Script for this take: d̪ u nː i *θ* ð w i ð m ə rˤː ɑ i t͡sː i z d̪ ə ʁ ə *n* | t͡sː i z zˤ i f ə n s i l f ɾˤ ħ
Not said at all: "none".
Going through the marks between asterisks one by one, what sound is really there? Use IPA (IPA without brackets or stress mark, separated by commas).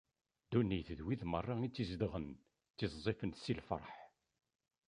θ, n